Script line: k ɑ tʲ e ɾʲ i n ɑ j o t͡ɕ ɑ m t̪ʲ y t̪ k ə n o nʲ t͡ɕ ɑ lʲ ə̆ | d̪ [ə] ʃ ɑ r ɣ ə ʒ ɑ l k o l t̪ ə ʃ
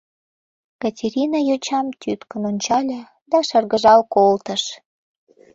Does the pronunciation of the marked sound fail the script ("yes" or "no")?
yes